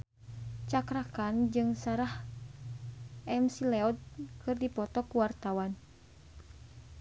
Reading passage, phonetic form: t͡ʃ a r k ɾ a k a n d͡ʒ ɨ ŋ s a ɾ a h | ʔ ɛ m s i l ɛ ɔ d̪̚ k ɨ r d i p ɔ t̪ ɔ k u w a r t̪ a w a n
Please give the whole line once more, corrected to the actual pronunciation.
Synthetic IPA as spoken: t͡ʃ a k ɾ a k a n d͡ʒ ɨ ŋ s a ɾ a h | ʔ ɛ m s i l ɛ ɔ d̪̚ k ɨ r d i p ɔ t̪ ɔ k u w a r t̪ a w a n